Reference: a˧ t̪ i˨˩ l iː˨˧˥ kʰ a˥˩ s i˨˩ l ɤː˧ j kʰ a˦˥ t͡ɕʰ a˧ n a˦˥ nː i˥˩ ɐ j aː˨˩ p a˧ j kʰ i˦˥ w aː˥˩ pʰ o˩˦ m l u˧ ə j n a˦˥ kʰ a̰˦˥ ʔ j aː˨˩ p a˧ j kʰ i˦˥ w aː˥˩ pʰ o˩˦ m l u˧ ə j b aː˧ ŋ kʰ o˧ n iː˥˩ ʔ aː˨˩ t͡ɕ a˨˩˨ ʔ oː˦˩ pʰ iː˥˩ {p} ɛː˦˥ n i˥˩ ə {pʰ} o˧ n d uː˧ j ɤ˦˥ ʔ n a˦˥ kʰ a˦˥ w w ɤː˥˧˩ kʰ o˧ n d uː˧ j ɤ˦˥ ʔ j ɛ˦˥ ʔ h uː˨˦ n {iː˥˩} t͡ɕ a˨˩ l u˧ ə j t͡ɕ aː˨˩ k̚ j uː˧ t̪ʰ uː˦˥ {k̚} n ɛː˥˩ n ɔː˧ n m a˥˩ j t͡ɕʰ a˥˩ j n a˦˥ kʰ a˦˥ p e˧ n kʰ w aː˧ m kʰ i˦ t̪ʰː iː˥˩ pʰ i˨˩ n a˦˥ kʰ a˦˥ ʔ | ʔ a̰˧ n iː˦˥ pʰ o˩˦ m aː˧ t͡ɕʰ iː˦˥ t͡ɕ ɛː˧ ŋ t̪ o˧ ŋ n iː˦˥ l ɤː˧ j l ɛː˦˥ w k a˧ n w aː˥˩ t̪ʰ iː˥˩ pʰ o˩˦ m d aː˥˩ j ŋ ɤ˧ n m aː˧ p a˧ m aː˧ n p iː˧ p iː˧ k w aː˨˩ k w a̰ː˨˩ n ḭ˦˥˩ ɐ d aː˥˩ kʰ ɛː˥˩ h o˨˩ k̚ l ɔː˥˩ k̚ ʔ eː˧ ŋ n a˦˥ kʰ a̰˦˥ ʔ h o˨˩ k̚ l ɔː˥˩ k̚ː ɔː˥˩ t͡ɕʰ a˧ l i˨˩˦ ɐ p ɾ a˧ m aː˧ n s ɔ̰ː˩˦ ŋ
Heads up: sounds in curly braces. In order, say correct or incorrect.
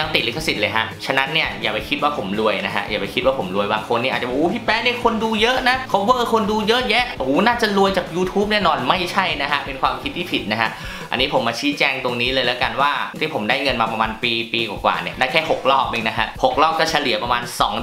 correct, incorrect, incorrect, incorrect

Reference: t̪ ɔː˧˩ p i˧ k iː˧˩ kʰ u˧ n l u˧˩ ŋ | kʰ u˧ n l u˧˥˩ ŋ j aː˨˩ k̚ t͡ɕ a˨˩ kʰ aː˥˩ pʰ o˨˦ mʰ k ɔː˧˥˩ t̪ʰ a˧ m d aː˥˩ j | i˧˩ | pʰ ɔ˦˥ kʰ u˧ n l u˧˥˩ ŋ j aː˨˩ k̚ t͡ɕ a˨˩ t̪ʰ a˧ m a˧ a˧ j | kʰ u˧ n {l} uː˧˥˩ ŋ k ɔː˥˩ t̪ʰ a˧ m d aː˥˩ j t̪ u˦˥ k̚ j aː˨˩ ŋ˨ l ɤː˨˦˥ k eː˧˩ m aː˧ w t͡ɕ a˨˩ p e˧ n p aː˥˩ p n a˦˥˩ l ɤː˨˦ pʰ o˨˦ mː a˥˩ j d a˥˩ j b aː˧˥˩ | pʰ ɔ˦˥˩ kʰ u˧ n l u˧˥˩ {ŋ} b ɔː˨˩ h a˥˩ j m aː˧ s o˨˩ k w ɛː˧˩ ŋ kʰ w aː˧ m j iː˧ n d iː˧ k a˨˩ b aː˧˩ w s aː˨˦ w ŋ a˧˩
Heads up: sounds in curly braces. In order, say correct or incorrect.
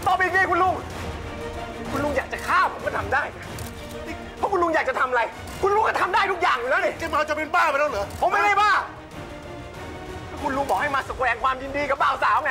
correct, correct

